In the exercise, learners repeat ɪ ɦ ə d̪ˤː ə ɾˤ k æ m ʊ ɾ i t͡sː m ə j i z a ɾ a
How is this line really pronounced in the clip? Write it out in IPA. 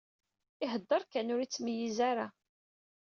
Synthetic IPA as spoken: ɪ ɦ ə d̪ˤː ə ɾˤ k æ n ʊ ɾ i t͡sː m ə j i z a ɾ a